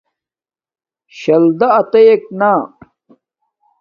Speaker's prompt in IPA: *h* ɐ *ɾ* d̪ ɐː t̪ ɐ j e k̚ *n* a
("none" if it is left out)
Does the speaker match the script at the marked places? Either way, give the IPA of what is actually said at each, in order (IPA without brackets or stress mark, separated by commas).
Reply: ɕ, l, n